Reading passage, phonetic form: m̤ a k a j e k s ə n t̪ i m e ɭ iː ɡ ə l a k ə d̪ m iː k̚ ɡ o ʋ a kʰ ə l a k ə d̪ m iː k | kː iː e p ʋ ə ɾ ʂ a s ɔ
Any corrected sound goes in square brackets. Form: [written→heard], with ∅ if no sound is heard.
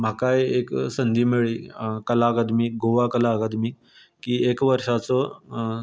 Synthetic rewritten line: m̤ a k a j e k s ə n [t̪→d̪] i m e ɭ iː [ɡ→k] ə l a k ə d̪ m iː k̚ ɡ o ʋ a [kʰ→k] ə l a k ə d̪ m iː k | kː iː e [p→k] ʋ ə ɾ ʂ a [s→t͡s] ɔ